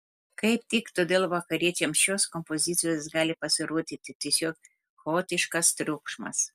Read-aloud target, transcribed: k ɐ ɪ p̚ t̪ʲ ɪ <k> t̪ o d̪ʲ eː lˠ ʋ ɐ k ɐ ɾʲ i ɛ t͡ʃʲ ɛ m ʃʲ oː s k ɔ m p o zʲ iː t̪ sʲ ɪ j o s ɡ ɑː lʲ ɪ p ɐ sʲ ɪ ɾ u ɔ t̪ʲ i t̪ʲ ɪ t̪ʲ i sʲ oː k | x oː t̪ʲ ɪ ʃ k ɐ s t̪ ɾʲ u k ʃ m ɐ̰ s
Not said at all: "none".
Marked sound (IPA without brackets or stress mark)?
k